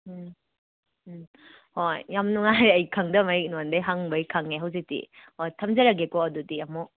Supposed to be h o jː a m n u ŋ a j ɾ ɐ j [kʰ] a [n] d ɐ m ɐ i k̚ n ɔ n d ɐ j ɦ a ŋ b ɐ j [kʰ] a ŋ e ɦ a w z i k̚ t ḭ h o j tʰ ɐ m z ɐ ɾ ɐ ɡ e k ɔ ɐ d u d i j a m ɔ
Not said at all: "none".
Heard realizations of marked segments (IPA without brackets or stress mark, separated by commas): kʰ, ŋ, kʰ